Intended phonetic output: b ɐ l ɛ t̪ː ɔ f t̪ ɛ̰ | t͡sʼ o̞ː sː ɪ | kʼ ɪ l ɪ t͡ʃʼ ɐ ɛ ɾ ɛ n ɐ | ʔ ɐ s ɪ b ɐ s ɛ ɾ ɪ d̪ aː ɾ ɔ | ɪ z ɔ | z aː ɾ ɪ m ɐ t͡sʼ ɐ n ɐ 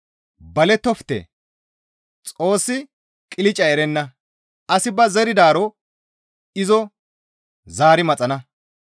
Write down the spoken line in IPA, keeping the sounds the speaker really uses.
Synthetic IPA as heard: b ɐ l ɛ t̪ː ɔ f t̪ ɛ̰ | t͡sʼ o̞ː sː ɪ | kʼ ɪ l ɪ t͡ʃʼ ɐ ɛ ɾ ɛ nː ɐ | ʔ ɐ s ɪ b ɐ z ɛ ɾ ɪ d̪ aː ɾ ɔ | ɪ z ɔ | z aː ɾ ɪ m ɐ t͡sʼ ɐ n ɐ